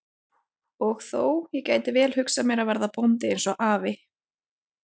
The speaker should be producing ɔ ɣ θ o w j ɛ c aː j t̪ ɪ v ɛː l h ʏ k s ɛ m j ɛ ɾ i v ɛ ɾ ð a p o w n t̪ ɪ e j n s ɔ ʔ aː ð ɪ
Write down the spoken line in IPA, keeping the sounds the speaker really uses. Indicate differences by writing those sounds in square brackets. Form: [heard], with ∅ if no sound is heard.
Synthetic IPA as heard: ɔ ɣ θ o w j ɛ c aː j t̪ ɪ v ɛː l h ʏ k s [a] m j ɛ ɾ [a] v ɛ ɾ ð a p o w n t̪ ɪ e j n s ɔ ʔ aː [v] ɪ